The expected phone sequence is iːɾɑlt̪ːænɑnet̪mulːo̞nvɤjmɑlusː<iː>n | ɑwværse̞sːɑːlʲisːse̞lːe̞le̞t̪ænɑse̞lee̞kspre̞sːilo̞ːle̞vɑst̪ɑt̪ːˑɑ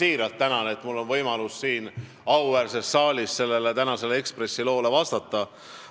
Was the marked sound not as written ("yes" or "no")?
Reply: no